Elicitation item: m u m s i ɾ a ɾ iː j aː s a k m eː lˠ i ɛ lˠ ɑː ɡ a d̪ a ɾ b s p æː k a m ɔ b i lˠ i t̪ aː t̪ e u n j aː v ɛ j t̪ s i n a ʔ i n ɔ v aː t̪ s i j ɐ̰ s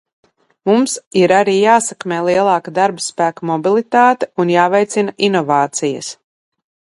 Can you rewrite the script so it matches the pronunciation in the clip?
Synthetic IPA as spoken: m u m s i ɾ a ɾ iː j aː s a k m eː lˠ i ɛ lˠ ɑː k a d̪ a ɾ b s p æː k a m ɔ b i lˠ i t̪ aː t̪ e u n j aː v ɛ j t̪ s i n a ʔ i n ɔ v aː t̪ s i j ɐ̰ s